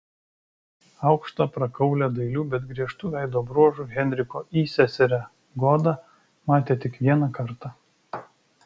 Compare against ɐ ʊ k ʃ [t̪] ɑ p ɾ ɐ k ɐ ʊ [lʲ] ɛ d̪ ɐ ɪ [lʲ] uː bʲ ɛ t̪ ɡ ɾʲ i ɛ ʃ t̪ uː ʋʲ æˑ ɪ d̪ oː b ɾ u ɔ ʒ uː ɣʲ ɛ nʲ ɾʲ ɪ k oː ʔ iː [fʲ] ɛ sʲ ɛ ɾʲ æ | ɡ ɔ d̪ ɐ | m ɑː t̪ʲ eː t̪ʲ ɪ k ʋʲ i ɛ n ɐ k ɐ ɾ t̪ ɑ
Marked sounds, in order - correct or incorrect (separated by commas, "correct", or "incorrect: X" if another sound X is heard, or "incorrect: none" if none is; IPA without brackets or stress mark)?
correct, correct, correct, incorrect: sʲ